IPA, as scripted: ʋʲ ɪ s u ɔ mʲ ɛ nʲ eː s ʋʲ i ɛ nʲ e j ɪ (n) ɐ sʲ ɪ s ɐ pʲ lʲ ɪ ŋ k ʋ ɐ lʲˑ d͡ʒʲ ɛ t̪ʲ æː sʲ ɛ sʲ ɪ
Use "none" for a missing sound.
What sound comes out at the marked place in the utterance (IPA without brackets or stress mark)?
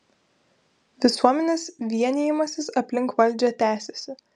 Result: m